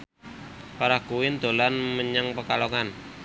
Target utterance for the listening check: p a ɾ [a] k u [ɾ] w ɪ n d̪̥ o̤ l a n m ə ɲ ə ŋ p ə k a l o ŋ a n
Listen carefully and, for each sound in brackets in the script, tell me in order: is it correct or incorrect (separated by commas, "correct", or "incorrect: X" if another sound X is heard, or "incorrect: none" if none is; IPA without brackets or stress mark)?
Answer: correct, incorrect: none